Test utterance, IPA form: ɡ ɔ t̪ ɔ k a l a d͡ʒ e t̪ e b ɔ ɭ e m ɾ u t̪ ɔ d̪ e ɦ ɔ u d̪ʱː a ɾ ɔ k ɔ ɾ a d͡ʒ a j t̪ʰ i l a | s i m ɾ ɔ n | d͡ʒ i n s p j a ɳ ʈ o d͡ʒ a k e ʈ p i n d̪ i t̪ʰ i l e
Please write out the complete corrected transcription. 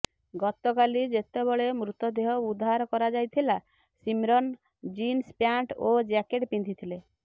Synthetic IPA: ɡ ɔ t̪ ɔ k a l i d͡ʒ e t̪ e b ɔ ɭ e m ɾ u t̪ ɔ d̪ e ɦ ɔ u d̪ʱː a ɾ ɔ k ɔ ɾ a d͡ʒ a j t̪ʰ i l a | s i m ɾ ɔ n | d͡ʒ i n s p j a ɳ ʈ o d͡ʒ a k e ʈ p i n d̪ i t̪ʰ i l e